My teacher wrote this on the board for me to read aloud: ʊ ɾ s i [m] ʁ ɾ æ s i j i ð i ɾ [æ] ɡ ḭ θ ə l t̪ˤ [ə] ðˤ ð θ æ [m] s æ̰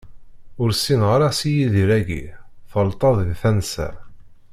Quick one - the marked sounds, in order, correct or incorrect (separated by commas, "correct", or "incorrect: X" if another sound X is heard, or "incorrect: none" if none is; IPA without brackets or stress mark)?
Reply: incorrect: n, correct, incorrect: ɑ, incorrect: n